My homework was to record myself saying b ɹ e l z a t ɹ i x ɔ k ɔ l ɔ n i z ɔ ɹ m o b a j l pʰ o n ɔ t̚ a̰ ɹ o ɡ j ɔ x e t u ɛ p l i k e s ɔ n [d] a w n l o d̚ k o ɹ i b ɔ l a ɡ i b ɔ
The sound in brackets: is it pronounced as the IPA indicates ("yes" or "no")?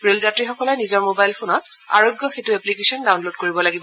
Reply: yes